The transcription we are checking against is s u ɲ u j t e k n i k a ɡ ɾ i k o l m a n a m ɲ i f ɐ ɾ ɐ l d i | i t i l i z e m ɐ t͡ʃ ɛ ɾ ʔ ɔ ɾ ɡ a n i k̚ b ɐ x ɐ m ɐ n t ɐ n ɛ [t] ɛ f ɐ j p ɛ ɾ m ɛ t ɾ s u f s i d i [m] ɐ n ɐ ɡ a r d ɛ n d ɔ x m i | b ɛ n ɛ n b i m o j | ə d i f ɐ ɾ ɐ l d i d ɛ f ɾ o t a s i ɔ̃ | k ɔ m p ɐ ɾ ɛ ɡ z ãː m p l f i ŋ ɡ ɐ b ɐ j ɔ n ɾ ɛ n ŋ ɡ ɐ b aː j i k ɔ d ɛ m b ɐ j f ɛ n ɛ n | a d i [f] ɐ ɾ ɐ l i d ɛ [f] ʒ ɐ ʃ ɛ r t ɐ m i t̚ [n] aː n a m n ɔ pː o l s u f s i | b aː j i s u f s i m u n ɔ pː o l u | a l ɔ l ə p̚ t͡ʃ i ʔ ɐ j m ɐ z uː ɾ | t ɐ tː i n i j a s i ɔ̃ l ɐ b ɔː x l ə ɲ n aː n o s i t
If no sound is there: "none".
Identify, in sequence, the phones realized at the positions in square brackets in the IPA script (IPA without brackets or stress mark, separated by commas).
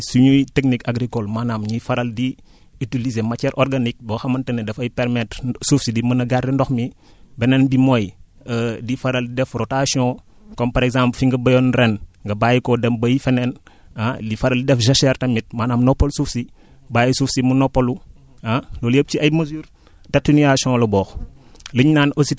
d, m, f, f, m